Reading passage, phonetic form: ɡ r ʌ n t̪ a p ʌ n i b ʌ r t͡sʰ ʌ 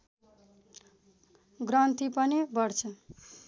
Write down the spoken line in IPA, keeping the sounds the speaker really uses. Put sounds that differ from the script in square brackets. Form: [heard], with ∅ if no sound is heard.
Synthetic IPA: ɡ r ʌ n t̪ [i] p ʌ n i b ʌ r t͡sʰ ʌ